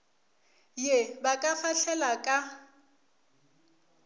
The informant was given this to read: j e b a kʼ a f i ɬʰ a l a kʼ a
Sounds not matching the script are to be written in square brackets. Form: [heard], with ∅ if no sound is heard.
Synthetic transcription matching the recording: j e b a kʼ a f [a] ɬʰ [ɛ] l a kʼ a